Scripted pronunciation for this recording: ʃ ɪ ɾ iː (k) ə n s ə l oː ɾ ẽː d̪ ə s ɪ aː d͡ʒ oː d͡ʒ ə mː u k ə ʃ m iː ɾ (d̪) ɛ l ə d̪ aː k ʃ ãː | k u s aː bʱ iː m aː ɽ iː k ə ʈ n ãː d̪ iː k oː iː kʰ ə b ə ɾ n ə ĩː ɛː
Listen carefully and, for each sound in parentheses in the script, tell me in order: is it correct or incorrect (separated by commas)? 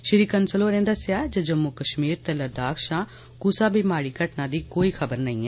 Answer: correct, incorrect